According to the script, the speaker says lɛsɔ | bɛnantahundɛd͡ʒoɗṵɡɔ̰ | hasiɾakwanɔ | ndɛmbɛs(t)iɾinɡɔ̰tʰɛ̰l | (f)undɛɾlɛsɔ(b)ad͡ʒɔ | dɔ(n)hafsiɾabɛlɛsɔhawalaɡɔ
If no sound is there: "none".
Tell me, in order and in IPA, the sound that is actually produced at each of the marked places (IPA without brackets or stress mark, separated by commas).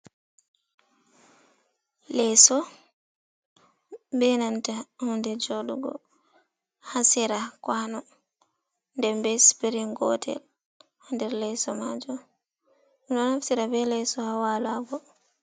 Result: p, h, m, n